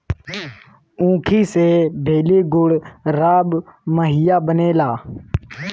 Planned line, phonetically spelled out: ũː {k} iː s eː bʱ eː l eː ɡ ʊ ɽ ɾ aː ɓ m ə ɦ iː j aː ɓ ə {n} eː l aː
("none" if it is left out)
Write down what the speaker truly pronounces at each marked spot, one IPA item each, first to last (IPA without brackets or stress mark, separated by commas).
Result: kʰ, n